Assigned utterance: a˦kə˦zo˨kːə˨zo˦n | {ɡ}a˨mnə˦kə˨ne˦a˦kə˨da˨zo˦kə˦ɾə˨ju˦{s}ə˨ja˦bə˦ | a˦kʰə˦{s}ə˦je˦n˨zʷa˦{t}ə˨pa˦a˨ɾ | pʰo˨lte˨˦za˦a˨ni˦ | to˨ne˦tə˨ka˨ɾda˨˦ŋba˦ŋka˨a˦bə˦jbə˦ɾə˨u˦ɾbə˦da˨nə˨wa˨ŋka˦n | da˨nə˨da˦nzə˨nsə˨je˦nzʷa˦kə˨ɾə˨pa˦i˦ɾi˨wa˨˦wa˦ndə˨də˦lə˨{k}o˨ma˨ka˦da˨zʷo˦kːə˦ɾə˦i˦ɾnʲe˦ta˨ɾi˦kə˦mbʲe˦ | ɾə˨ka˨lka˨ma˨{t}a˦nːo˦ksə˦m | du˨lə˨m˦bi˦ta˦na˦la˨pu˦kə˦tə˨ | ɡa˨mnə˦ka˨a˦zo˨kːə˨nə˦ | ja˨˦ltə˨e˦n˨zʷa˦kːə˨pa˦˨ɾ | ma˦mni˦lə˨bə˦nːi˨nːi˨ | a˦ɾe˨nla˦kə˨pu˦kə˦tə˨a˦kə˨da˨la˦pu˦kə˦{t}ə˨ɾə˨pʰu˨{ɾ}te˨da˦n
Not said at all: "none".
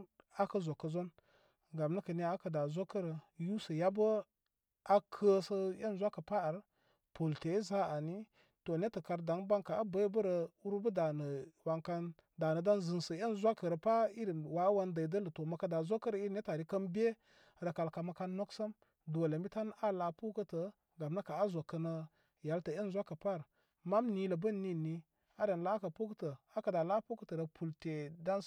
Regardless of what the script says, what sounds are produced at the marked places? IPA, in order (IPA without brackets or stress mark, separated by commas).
ɡ, s, s, k, t, k, t, l